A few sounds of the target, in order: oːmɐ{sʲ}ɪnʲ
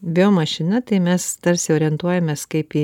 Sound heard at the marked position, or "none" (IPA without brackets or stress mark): ʃʲ